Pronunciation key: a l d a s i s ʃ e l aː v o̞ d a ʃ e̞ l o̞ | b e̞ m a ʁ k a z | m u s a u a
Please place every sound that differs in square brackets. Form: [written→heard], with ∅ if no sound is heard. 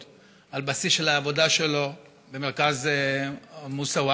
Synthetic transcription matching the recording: a l [d→b] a s i s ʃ e l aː v o̞ d a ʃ e̞ l o̞ | b e̞ m [a→e] ʁ k a z | m u s a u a